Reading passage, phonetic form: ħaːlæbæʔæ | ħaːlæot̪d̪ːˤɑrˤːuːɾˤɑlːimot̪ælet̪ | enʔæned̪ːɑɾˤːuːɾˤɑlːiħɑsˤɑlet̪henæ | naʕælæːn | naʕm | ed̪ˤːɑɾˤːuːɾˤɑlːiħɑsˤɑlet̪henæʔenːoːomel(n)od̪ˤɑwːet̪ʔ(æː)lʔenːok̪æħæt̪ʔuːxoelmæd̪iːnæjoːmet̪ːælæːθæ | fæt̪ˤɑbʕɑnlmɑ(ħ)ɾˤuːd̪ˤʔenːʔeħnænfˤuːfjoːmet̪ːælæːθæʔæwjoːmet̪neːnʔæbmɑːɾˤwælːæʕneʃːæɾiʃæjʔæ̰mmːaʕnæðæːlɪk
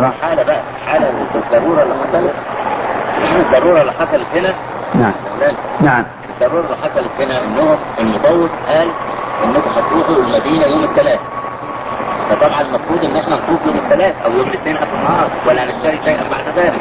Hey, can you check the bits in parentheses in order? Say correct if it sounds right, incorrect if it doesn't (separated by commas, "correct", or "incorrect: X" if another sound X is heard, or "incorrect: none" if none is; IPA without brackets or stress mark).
incorrect: m, correct, incorrect: f